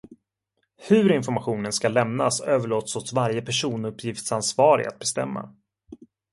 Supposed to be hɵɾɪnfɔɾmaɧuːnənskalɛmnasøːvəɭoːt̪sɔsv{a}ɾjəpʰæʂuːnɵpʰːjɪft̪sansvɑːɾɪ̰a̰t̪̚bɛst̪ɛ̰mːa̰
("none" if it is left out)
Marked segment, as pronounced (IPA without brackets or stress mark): a